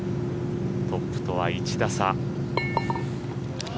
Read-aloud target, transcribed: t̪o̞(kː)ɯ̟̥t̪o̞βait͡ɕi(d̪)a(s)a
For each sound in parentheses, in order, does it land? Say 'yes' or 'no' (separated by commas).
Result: no, yes, yes